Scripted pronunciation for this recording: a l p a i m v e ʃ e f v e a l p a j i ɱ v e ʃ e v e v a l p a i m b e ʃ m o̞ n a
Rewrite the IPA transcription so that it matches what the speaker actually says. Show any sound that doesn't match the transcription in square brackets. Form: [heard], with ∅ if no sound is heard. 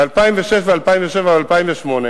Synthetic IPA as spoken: a l p a i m v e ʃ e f v e a l p a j i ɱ v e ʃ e v [a] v a l p a i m [v] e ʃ m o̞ n [e]